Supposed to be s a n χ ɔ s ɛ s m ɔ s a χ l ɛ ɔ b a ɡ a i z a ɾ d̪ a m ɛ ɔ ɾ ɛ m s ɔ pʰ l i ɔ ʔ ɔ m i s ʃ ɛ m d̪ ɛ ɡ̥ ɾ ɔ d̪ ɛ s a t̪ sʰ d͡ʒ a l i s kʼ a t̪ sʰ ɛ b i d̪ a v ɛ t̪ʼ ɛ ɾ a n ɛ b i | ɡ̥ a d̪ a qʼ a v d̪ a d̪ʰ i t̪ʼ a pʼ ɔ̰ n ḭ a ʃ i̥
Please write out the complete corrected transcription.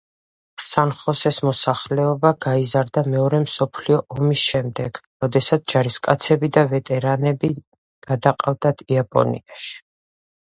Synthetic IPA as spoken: s a n χ ɔ s ɛ s m ɔ s a χ l ɛ ɔ b a ɡ a i z a ɾ d̪ a m ɛ ɔ ɾ ɛ m s ɔ pʰ l i ɔ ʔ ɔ m i s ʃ ɛ m d̪ ɛ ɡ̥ ɾ ɔ d̪ ɛ s a t̪ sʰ d͡ʒ a ɾ i s kʼ a t̪ sʰ ɛ b i d̪ a v ɛ t̪ʼ ɛ ɾ a n ɛ b i | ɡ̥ a d̪ a qʼ a v d̪ a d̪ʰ i a pʼ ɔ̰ n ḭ a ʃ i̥